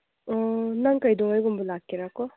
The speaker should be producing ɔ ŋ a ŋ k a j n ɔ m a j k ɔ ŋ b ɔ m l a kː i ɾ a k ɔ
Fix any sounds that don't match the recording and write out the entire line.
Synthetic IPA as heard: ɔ n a ŋ k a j d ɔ ŋ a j ɡ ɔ m b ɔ l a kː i ɾ a k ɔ